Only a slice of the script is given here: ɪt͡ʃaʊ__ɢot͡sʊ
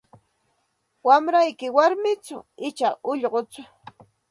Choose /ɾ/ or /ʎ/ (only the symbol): ʎ